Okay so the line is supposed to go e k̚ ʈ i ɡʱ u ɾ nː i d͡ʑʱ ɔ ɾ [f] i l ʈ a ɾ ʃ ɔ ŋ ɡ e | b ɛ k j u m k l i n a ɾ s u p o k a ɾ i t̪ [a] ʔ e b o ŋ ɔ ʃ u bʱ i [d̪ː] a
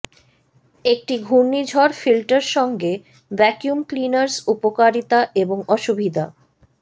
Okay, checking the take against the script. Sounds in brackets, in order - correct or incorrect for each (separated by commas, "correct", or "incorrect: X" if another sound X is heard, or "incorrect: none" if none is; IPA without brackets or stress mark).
correct, correct, incorrect: d̪